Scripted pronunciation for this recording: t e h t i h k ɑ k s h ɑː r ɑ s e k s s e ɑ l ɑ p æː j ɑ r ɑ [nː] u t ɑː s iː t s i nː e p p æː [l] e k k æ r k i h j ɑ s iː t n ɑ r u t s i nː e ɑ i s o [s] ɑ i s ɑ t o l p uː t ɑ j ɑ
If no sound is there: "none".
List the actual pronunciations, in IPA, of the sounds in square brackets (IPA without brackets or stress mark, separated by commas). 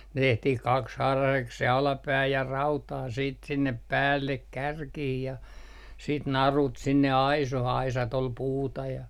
none, lː, h